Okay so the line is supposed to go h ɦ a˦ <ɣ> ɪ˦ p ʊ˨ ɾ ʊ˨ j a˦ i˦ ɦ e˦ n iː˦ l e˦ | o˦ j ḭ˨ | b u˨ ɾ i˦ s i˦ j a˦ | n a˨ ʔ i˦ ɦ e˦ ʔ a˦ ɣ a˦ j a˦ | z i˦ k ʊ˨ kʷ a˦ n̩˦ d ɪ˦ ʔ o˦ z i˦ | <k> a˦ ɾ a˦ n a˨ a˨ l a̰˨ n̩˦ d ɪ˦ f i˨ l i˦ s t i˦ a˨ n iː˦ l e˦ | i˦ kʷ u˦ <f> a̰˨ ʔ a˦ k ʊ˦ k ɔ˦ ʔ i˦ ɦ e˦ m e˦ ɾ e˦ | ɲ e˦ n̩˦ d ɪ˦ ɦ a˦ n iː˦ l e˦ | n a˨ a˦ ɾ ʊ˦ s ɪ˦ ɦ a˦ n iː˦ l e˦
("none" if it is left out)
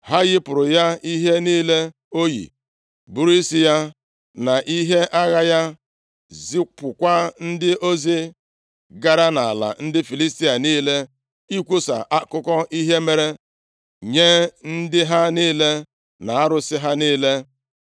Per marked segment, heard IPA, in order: ɣ, ɡ, s

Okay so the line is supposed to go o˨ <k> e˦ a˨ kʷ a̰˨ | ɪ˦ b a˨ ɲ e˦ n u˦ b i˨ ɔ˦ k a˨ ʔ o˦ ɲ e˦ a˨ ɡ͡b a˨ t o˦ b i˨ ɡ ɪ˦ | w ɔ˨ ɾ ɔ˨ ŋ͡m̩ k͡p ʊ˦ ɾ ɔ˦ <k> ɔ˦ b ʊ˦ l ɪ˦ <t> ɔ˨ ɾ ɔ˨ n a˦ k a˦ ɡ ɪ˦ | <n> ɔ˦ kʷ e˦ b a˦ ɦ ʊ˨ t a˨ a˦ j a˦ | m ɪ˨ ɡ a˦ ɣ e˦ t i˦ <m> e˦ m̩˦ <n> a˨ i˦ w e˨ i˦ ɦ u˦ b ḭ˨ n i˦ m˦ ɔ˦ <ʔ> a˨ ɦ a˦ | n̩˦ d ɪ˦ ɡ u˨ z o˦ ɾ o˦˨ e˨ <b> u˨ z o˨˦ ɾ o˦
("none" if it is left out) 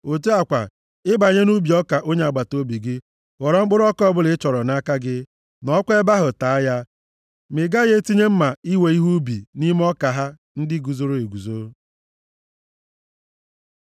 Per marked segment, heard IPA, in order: t, k, t͡ʃ, n, ɲ, m, k, ɡ

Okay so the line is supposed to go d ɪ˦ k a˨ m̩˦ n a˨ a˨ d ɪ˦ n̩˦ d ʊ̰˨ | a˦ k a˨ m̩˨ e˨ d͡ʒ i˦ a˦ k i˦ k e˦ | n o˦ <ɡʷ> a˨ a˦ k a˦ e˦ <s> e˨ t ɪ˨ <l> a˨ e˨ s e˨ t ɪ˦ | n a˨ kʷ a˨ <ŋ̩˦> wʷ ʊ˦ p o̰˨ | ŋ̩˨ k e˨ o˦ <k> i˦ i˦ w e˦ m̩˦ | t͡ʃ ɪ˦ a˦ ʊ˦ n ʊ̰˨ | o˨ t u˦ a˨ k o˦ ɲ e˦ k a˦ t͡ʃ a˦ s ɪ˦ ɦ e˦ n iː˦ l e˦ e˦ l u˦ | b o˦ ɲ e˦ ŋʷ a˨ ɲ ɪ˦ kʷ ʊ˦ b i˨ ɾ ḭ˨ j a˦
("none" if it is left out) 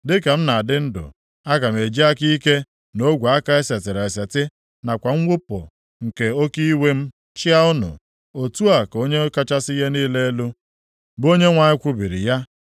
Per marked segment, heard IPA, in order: ɡʷ, s, ɾ, ŋ̩˦, k

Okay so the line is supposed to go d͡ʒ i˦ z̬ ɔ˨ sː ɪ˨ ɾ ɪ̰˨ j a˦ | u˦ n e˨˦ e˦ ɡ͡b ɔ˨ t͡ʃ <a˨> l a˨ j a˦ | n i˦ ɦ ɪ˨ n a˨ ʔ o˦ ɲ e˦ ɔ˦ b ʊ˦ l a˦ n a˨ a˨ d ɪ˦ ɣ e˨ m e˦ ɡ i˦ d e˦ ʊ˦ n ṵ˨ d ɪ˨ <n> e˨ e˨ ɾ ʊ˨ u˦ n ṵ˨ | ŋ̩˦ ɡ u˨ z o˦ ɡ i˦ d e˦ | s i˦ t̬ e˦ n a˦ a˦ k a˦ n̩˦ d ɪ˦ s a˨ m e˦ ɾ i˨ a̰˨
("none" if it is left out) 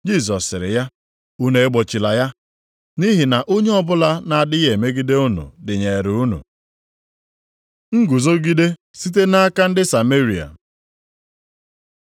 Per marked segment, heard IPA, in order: i˨, ɲ

